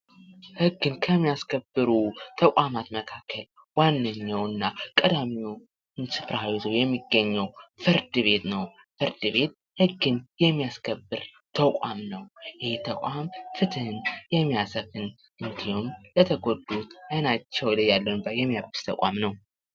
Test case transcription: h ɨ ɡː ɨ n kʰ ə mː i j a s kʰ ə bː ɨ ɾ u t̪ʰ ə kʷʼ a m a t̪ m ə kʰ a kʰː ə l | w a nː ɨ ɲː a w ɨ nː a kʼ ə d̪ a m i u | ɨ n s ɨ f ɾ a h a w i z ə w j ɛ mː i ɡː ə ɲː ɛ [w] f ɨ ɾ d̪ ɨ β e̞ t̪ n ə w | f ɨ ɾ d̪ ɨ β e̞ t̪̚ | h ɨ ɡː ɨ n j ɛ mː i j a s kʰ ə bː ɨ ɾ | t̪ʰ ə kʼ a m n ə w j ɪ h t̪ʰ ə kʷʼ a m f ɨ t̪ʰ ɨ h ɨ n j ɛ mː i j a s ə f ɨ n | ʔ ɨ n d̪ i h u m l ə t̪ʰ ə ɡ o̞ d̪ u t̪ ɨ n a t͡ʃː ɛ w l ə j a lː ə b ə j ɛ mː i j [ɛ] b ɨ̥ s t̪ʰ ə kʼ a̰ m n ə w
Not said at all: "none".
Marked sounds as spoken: w, a

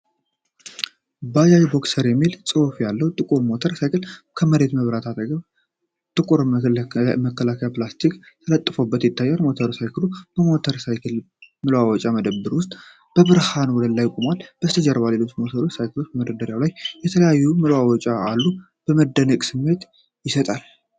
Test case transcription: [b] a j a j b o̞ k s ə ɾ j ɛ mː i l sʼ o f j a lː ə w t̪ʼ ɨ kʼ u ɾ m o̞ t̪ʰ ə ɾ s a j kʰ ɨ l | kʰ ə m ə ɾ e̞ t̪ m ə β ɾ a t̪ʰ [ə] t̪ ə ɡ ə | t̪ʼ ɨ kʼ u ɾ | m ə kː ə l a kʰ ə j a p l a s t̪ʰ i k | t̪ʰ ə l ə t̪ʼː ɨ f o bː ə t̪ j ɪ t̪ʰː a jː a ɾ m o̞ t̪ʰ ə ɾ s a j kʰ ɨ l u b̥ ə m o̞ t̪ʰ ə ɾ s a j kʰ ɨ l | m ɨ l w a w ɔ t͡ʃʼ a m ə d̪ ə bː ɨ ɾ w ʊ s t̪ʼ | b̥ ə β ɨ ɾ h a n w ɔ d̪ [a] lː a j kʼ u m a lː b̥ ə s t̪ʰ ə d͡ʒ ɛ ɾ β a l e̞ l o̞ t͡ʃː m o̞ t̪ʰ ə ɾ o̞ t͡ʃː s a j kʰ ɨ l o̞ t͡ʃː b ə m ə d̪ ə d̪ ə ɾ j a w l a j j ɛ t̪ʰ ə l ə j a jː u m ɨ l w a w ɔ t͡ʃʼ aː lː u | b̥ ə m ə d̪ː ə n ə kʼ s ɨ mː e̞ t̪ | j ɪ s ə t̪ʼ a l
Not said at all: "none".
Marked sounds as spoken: b, a, ə

